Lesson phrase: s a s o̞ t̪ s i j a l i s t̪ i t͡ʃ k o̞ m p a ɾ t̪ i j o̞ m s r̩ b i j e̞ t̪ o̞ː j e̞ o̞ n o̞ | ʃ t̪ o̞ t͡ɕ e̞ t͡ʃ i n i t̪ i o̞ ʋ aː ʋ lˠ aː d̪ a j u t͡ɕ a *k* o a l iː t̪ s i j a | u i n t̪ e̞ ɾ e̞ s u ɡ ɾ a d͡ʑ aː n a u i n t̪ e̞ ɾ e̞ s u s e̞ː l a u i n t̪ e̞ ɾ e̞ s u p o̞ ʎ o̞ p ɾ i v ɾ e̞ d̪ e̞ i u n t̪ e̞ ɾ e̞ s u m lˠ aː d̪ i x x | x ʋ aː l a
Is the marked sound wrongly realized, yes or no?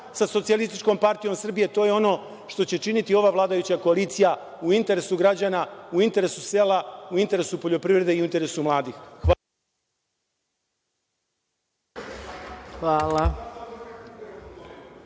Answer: no